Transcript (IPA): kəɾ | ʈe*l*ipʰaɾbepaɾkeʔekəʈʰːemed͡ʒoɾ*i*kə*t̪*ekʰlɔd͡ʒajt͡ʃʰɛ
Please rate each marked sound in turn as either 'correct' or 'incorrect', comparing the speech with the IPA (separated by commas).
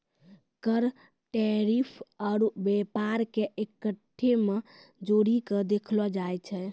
incorrect, correct, incorrect